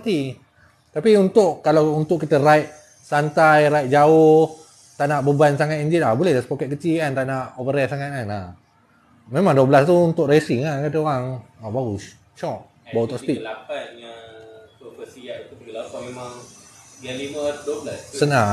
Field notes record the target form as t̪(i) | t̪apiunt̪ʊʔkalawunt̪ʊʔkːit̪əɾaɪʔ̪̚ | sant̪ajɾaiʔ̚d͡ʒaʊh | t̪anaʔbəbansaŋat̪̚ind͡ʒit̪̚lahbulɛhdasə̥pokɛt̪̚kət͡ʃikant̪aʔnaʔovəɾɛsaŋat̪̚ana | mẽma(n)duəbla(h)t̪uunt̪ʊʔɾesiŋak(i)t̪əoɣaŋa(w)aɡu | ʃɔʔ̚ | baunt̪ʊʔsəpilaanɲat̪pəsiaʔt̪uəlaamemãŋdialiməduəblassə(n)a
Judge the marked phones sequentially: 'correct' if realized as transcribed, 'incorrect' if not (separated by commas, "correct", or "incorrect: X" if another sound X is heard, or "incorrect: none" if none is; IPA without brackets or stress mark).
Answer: correct, incorrect: ŋ, incorrect: s, incorrect: a, incorrect: b, correct